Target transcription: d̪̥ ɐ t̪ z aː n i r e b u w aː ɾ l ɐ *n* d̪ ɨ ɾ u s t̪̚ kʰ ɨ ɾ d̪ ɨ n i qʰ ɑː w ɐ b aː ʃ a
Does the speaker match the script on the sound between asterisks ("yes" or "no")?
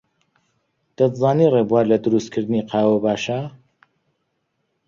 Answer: no